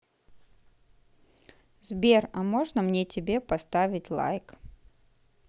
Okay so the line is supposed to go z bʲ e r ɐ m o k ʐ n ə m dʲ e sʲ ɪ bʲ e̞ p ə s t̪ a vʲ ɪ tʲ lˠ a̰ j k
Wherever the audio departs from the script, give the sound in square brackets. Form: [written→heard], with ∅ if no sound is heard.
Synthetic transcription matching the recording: z bʲ e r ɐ m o [k→∅] ʐ n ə m [dʲ→nʲ] e [sʲ→tʲ] ɪ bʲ e̞ p [ə→ɐ] s t̪ a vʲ ɪ tʲ lˠ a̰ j k